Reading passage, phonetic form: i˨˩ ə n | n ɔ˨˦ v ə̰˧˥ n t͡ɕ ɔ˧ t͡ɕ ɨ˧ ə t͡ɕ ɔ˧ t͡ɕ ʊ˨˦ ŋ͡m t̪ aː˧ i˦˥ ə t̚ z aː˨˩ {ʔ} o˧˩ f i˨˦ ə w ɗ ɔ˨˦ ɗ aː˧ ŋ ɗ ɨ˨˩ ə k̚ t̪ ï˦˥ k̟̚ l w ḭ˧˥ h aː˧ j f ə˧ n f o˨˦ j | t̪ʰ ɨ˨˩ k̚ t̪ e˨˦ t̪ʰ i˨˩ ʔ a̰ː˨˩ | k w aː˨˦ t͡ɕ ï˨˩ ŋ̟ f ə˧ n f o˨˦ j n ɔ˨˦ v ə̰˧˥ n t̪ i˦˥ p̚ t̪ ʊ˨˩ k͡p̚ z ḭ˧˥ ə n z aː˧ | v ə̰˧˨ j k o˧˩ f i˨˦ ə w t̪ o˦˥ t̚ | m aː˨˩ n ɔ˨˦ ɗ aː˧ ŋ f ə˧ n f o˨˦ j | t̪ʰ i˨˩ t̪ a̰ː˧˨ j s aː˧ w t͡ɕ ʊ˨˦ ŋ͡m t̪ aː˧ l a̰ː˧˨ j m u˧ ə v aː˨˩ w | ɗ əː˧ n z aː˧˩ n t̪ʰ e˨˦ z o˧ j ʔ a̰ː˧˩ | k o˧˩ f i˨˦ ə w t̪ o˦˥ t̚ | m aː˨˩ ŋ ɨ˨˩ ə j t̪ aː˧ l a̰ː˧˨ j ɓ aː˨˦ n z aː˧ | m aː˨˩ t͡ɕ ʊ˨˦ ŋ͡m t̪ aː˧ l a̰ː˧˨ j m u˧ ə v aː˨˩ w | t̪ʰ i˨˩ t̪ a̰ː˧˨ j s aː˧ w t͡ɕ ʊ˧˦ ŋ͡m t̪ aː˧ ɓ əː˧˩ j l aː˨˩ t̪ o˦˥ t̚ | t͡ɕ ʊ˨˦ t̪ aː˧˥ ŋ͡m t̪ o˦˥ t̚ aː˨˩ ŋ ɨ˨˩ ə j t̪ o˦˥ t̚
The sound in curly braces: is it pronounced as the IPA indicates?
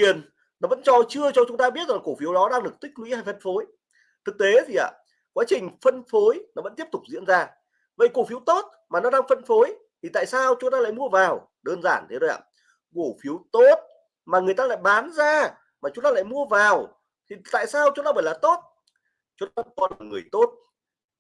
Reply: no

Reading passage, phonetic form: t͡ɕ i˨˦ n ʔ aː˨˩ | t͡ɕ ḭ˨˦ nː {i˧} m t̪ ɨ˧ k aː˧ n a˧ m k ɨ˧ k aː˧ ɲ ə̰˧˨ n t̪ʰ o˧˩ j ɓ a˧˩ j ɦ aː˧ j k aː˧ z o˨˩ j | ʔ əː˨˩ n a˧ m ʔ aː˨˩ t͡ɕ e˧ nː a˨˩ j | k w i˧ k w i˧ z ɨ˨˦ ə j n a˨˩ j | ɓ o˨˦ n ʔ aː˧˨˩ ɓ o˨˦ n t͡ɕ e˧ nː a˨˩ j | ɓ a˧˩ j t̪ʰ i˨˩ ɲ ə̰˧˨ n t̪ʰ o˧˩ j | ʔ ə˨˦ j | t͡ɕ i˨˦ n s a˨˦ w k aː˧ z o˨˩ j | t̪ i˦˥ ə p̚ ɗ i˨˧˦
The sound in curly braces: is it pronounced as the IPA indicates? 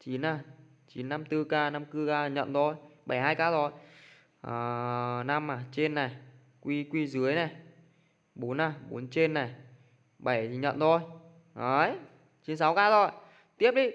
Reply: no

